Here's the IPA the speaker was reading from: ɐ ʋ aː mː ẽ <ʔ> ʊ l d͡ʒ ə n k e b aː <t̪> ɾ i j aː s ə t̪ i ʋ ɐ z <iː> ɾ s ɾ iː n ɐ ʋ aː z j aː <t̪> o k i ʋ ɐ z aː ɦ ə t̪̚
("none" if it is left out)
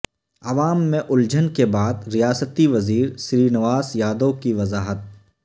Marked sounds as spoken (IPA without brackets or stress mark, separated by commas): ʔ, d̪, iː, d̪